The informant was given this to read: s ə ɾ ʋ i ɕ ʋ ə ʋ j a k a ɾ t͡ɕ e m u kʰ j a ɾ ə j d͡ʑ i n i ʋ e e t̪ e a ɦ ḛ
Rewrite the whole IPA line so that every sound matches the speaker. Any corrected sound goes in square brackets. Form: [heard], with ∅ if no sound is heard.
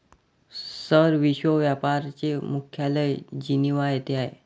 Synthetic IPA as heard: s ə ɾ ʋ i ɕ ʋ ə ʋ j a [p] a ɾ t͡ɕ e m u kʰ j a [l] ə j d͡ʑ i n i ʋ [a] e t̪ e a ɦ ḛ